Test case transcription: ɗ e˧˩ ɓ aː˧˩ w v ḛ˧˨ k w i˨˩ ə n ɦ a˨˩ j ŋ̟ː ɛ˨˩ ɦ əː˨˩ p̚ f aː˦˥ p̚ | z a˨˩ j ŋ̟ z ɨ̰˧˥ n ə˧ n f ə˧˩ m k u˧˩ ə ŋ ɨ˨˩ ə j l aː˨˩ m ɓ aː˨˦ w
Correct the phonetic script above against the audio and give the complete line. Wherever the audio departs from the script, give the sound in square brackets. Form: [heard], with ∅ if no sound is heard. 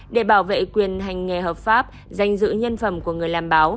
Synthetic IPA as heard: ɗ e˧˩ ɓ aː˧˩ w v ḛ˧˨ k w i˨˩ ə n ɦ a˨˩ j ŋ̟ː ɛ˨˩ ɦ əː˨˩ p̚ f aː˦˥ p̚ | z a˨˩ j ŋ̟ z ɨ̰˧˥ [ɲ] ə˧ n f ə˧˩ m k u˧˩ ə ŋ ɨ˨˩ ə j l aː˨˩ m ɓ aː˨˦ w

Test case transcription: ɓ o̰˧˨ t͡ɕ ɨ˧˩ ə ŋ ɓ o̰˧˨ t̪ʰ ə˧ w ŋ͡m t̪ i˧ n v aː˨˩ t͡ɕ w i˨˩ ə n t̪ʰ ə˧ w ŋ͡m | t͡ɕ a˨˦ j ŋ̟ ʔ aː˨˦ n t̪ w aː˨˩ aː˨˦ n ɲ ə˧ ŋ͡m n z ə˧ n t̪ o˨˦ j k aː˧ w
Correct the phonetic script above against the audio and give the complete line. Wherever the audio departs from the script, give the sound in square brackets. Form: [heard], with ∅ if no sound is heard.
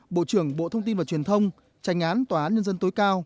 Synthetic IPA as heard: ɓ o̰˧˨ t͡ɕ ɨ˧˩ ə ŋ ɓ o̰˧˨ t̪ʰ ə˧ w ŋ͡m t̪ i˧ n v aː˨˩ t͡ɕ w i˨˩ ə n t̪ʰ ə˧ w ŋ͡m | t͡ɕ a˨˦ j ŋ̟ ʔ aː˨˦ n t̪ w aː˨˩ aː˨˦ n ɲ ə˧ [∅] n z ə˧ n t̪ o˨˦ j k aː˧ w

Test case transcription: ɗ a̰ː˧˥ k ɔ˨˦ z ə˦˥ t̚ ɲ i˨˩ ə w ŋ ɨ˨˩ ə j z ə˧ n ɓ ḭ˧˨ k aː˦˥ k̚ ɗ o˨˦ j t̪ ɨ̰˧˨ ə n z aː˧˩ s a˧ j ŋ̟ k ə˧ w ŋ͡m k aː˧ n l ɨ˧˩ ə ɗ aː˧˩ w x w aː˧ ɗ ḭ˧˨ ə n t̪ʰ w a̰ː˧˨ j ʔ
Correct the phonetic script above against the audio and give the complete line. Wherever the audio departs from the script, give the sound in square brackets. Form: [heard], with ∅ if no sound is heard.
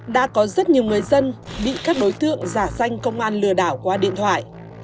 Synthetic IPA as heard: ɗ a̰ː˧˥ k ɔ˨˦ z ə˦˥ t̚ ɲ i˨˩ ə w ŋ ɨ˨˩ ə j z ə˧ n ɓ ḭ˧˨ k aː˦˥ k̚ ɗ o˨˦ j t̪ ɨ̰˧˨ ə [ŋ] z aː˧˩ s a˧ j ŋ̟ k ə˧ w ŋ͡m [ʔ] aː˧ n l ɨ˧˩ ə ɗ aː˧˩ w [k] w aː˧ ɗ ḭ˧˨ ə n t̪ʰ w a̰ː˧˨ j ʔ

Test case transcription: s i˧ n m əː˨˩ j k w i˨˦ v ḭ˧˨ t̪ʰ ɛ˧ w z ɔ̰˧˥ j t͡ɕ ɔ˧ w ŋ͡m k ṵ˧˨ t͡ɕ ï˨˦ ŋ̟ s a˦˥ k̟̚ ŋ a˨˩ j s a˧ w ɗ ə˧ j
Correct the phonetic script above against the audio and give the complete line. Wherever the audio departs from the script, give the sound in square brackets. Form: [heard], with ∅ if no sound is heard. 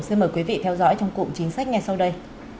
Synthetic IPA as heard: s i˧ n m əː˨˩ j k w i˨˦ v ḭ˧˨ t̪ʰ ɛ˧ w z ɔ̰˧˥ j t͡ɕ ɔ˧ w ŋ͡m k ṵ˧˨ t͡ɕ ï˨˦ ŋ̟ s a˦˥ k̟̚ ŋ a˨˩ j s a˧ w ɗ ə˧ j

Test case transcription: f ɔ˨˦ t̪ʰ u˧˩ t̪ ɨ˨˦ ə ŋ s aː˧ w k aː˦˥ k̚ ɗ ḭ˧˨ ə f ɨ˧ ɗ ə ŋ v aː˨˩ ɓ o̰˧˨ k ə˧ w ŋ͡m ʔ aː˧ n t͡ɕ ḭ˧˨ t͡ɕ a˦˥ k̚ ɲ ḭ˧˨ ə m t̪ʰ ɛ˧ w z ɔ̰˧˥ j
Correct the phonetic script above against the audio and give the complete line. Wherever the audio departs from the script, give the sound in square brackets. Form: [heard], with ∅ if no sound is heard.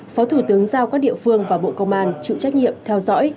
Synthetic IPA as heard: f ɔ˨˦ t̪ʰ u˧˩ t̪ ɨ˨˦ ə ŋ [z] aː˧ w k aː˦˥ k̚ ɗ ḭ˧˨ ə f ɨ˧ [∅] ə ŋ v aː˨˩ ɓ o̰˧˨ k ə˧ w ŋ͡m ʔ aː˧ n t͡ɕ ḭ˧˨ t͡ɕ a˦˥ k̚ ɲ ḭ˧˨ ə m t̪ʰ ɛ˧ w z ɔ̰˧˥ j

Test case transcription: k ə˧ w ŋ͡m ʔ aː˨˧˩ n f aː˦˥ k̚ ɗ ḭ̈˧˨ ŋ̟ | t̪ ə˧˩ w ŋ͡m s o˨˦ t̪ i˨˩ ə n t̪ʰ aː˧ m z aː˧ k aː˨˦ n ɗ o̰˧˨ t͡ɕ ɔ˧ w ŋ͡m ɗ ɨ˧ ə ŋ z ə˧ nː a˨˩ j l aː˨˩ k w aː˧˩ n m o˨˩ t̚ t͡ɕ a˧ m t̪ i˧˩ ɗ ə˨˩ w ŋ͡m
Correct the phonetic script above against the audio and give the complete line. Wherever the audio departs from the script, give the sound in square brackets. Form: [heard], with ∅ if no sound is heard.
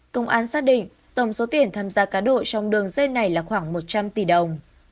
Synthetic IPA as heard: k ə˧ w ŋ͡m ʔ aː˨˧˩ n [s] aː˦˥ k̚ ɗ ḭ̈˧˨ ŋ̟ | t̪ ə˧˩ w ŋ͡m s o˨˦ t̪ i˨˩ ə n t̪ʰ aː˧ m z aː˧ k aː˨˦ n ɗ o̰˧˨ t͡ɕ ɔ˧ w ŋ͡m ɗ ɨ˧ ə ŋ z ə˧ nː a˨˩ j l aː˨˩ [x] w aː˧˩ [ŋ] m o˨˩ t̚ t͡ɕ a˧ m t̪ i˧˩ ɗ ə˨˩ w ŋ͡m

